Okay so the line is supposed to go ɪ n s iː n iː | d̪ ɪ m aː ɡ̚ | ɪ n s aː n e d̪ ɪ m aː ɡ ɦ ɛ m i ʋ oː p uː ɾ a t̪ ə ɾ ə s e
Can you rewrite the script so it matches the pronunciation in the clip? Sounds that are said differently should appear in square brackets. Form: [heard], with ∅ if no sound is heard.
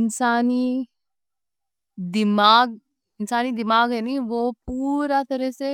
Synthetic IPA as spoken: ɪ n s [aː] n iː | d̪ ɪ m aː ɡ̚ | ɪ n s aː n [i] d̪ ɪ m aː ɡ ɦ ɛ [n] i ʋ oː p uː ɾ a t̪ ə ɾ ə s e